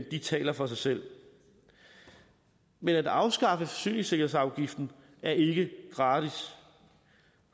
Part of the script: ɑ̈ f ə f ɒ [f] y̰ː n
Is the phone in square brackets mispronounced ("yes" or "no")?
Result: yes